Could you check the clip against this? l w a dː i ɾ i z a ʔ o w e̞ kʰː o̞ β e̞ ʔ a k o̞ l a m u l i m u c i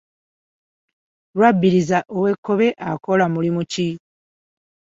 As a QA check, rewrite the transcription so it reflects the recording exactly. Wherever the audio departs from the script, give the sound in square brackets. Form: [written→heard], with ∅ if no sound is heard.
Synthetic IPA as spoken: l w a [dː→bː] i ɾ i z a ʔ o w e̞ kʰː o̞ β e̞ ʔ a k o̞ l a m u l i m u c i

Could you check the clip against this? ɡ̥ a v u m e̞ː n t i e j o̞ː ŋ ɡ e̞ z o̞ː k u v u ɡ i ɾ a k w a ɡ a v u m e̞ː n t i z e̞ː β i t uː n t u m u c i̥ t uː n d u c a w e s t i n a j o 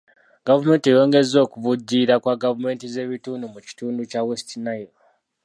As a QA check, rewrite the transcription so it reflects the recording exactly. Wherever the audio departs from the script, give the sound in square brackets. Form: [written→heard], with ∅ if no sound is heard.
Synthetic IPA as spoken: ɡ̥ a v u m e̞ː n t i e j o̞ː ŋ ɡ e̞ z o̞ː k u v u [ɡ→ɟ] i ɾ a k w a ɡ a v u m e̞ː n t i z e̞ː β i t uː n [t→d] u m u c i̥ t uː n d u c a w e s t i n a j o

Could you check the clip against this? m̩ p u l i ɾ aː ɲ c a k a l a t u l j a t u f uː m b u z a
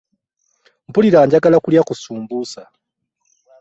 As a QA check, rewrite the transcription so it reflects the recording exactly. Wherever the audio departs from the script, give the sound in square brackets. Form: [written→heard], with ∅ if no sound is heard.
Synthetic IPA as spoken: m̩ p u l i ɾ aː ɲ [c→ɟ] a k a l a [t→k] u l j a [t→k] u [f→s] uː m b u [z→s] a

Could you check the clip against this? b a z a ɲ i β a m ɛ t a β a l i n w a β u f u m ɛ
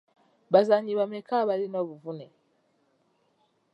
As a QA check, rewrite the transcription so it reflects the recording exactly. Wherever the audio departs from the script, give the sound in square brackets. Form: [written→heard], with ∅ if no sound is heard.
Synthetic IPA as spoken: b a z a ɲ i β a m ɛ [t→k] a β a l i n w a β u [f→v] u [m→n] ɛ

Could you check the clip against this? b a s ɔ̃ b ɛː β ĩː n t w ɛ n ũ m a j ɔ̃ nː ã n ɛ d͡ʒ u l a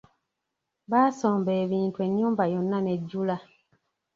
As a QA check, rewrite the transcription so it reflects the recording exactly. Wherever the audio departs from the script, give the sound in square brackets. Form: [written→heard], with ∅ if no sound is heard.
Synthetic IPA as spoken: b a s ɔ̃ b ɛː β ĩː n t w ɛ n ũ [m→b] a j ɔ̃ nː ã n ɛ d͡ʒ u l a

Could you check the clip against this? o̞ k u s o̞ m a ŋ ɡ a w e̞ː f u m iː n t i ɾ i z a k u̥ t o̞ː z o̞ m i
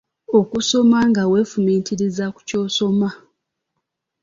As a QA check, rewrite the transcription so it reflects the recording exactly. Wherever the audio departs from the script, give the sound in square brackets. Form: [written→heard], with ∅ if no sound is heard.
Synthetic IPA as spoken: o̞ k u s o̞ m a ŋ ɡ a w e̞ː f u m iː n t i ɾ i z a k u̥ [t→c] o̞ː [z→s] o̞ m [i→a]

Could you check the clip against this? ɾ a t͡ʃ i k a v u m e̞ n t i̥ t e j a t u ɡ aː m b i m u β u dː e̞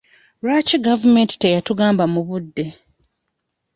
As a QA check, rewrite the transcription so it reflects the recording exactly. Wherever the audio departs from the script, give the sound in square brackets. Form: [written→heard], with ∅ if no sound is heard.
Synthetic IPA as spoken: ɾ a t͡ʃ i [k→ɡ] a v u m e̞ n t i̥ t e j a t u ɡ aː m b [i→a] m u β u dː e̞

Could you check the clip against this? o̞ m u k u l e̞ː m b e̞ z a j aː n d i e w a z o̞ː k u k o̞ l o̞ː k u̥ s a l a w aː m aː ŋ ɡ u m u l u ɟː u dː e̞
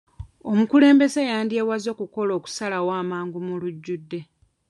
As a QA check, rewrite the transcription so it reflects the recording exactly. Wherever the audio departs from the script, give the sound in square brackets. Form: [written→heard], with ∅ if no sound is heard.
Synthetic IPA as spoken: o̞ m u k u l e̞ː m b e̞ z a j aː n d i e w a z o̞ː k u k o̞ l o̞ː k u̥ s a l a w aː m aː ŋ ɡ u m u l u ɟː u dː e̞

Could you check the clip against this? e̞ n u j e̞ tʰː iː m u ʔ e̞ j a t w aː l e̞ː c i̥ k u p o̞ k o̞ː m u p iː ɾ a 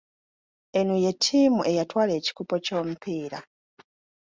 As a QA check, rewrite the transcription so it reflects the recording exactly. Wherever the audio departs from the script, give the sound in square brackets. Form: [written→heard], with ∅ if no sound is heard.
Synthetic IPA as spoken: e̞ n u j e̞ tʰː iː m u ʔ e̞ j a t w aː l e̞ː c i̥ k u p o̞ [k→c] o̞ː m u p iː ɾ a

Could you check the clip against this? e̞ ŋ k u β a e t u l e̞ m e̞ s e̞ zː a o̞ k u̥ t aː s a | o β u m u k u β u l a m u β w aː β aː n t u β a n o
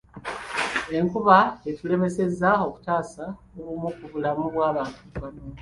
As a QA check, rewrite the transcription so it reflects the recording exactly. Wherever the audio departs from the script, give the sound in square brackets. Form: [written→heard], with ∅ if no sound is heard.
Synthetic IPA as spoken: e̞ ŋ k u β a e t u l e̞ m e̞ s e̞ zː a o̞ k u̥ t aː s a | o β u m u k u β u l a m u β w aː β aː n t u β a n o

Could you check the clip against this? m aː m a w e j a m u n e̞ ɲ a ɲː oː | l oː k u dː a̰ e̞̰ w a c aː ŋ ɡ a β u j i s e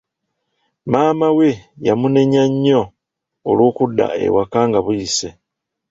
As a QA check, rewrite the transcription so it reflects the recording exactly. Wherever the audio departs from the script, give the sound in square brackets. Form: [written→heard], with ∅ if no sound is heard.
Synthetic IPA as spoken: m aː m a w e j a m u n e̞ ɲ a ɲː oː | l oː k u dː a̰ e̞̰ w a [c→k] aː ŋ ɡ a β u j i s e

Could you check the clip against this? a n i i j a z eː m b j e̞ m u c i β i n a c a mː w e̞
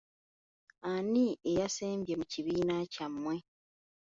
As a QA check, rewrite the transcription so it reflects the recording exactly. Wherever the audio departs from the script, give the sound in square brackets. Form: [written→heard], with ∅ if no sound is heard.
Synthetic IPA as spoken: a n i [i→e] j a [z→s] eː m b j e̞ m u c i β [i→iː] n a c a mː w e̞

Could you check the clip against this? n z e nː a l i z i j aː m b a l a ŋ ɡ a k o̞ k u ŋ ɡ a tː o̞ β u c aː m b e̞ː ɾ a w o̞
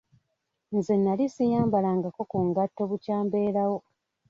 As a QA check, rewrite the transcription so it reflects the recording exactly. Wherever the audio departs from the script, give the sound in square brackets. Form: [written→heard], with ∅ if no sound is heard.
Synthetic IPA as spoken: n z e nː a l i [z→s] i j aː m b a l a ŋ ɡ a k o̞ k u ŋ ɡ a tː o̞ β u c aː m b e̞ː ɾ a w o̞

